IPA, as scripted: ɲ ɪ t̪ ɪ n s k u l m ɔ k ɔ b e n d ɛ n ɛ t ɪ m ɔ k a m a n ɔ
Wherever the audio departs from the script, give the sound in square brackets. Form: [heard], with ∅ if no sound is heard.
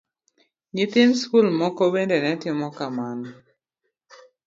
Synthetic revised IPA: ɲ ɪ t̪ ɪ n s k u l m ɔ k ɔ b e n d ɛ n ɛ t ɪ m ɔ k a m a n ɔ